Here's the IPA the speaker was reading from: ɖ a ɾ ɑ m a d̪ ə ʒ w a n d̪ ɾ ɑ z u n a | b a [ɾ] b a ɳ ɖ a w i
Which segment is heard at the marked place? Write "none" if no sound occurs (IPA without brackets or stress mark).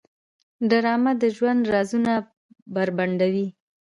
ɾ